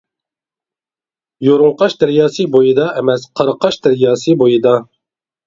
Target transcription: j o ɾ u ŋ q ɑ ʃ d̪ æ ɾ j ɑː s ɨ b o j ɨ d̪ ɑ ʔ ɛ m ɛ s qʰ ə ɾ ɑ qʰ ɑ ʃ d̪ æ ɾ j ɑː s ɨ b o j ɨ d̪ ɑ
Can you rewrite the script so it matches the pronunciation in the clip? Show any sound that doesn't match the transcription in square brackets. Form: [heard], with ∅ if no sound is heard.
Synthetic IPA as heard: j o ɾ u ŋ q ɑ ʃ d̪ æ ɾ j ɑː s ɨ b o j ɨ d̪ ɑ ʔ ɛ m ɛ s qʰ [ɑ] ɾ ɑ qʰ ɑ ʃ d̪ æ ɾ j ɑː s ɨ b o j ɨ d̪ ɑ